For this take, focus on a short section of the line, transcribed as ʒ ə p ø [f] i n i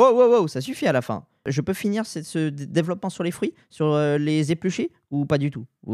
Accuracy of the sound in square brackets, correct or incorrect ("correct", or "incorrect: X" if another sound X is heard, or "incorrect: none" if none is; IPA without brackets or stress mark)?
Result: correct